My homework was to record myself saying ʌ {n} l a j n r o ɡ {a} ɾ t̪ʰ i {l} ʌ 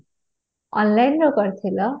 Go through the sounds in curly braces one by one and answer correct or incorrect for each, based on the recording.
correct, incorrect: ʌ, correct

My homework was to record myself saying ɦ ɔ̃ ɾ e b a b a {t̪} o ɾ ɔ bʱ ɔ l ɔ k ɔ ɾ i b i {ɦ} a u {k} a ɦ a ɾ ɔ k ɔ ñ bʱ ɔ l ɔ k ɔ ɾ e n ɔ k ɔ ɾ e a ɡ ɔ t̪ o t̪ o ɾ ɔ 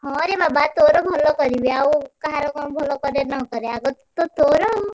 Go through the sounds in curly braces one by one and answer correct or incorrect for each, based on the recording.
correct, incorrect: none, correct

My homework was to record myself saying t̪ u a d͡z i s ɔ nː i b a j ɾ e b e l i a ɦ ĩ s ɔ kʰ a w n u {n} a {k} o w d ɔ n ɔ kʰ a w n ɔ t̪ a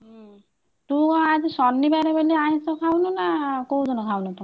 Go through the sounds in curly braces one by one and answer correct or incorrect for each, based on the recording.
correct, correct

